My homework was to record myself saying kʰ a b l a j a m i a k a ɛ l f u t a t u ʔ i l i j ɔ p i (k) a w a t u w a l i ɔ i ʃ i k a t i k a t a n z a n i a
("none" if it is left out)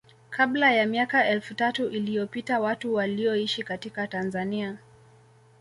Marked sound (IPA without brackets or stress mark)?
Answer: t